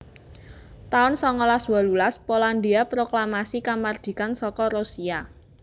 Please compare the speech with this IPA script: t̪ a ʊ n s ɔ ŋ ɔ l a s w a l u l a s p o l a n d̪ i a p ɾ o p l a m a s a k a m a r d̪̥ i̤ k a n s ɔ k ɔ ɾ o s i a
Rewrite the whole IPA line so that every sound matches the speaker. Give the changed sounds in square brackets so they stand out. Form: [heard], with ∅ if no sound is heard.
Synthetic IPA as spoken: t̪ a ʊ n s ɔ ŋ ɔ l a s w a l u l a s p o l a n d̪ i a p ɾ o [k] l a m a s [i] k a m a r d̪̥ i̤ k a n s ɔ k ɔ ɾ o s i a